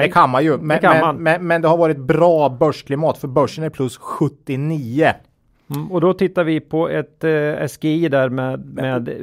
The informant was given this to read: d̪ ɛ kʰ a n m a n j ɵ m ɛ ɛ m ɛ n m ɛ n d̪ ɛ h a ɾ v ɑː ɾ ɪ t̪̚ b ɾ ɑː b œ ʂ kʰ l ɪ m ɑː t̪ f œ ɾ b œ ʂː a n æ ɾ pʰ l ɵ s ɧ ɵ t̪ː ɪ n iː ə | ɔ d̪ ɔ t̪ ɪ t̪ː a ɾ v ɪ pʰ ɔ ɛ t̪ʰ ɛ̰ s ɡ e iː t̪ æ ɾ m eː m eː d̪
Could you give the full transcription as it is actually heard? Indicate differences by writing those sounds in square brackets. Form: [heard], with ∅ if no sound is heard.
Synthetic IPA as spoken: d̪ ɛ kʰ a n m a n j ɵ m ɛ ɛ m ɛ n m ɛ n d̪ ɛ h a ɾ v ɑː ɾ ɪ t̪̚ b ɾ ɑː b œ ʂ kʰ l ɪ m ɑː t̪ f œ ɾ b œ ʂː [ə] n æ ɾ pʰ l ɵ s ɧ ɵ t̪ː ɪ n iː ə | ɔ d̪ ɔ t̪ ɪ t̪ː a ɾ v ɪ pʰ ɔ ɛ [t̪] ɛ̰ s ɡ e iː [d̪] æ ɾ m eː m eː d̪